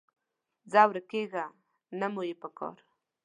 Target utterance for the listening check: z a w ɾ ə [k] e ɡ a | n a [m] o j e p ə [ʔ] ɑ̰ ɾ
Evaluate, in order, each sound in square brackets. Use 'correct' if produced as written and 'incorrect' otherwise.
correct, correct, incorrect

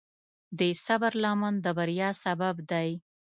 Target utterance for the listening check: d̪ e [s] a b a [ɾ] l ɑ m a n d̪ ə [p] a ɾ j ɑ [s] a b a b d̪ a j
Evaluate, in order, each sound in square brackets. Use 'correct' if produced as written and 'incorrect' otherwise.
correct, correct, incorrect, correct

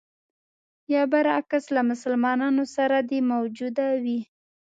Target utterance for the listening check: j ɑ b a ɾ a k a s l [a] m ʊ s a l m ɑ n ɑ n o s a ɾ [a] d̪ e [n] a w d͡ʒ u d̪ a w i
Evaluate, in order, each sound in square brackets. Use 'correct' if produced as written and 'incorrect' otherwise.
correct, correct, incorrect

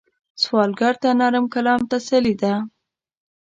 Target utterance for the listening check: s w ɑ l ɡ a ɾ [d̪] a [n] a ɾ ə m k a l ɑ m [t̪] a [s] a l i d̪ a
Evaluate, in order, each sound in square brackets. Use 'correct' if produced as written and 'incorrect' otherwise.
incorrect, correct, correct, correct

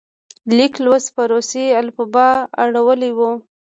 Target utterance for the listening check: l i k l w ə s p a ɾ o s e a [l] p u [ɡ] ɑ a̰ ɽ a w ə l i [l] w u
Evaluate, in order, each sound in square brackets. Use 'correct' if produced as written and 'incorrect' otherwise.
correct, incorrect, incorrect

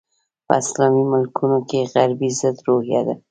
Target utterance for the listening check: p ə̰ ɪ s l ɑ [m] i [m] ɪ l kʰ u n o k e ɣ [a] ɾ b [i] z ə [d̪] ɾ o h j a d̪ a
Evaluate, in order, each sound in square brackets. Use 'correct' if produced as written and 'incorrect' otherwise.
correct, correct, correct, correct, correct

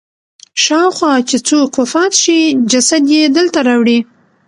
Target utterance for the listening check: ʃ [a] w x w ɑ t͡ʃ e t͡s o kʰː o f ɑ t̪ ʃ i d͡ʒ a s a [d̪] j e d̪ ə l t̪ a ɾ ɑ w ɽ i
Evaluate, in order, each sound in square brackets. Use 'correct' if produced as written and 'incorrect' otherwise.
incorrect, correct

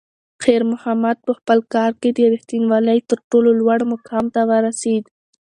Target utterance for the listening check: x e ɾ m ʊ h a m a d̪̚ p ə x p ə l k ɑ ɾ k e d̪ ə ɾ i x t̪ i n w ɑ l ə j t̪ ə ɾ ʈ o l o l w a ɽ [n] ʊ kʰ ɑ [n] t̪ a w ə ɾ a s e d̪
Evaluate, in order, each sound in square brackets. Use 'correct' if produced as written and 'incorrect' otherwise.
incorrect, incorrect

